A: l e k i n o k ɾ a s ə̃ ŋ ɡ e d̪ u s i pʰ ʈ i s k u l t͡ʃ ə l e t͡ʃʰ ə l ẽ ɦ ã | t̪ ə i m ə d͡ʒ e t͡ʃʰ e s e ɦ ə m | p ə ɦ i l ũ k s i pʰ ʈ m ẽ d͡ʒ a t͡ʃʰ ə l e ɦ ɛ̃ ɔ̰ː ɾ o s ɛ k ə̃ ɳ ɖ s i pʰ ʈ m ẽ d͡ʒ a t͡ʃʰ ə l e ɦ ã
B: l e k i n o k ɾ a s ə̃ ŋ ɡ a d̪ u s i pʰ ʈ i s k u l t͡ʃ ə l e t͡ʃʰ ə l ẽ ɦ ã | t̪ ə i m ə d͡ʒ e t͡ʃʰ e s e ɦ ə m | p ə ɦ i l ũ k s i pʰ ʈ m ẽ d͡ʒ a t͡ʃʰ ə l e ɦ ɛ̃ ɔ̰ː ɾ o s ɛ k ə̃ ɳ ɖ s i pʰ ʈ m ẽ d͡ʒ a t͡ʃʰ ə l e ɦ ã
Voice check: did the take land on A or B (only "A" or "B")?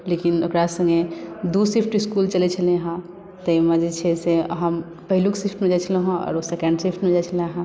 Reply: A